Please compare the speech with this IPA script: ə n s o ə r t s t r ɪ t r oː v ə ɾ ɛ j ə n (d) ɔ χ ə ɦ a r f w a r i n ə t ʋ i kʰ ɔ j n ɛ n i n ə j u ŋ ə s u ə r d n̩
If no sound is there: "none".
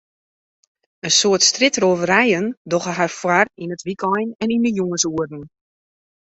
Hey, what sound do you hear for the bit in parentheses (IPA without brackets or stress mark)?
d